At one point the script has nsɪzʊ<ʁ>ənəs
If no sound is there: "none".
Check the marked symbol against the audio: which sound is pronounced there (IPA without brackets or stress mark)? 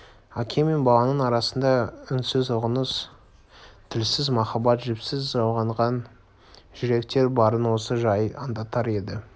ʁ